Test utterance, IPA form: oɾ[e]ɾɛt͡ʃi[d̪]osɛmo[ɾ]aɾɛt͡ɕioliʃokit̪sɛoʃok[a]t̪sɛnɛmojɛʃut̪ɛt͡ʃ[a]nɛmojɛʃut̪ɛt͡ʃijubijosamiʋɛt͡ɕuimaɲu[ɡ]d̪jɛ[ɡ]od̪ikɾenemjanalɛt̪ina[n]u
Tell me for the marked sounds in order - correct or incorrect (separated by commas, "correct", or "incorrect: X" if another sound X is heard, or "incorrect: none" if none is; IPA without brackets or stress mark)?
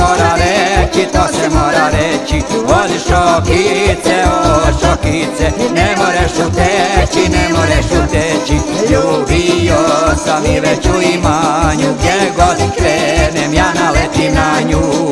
incorrect: a, incorrect: t̪, correct, incorrect: i, incorrect: i, correct, correct, incorrect: ɲ